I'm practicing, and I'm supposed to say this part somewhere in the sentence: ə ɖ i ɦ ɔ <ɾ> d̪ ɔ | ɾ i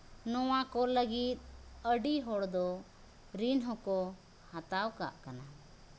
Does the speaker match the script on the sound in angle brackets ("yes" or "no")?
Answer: no